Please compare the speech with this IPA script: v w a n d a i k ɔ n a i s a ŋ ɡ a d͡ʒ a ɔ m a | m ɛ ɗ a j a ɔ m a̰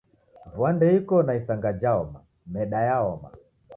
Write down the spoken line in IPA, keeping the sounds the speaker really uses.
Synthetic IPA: v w a n d ɛ i k ɔ n a i s a ŋ ɡ a d͡ʒ a ɔ m a | m ɛ ɗ a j a ɔ m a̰